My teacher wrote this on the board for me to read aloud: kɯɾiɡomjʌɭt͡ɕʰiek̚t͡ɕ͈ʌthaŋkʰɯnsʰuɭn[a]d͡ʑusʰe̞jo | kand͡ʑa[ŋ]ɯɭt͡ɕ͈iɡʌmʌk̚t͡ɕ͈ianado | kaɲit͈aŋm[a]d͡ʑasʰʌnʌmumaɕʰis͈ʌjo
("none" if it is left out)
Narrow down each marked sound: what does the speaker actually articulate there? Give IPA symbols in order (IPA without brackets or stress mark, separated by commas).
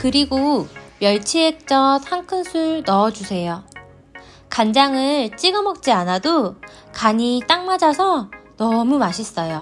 ʌ, ŋ, a